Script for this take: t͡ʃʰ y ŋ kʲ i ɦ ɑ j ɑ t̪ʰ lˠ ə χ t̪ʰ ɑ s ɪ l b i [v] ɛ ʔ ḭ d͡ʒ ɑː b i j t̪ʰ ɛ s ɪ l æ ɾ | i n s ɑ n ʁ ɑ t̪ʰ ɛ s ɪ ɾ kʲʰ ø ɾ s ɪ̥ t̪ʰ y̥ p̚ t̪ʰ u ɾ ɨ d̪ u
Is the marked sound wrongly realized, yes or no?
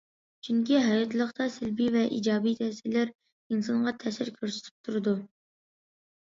no